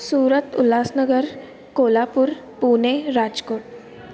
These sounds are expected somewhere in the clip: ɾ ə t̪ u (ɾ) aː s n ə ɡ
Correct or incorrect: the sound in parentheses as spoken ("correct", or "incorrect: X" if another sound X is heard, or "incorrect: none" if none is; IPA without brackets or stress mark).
incorrect: l